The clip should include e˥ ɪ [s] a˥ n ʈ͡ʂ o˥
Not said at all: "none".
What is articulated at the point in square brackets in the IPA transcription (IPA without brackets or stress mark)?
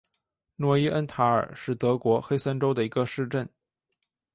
s